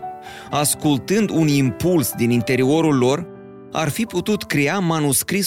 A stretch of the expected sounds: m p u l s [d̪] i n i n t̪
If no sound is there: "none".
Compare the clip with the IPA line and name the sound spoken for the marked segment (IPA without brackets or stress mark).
d̪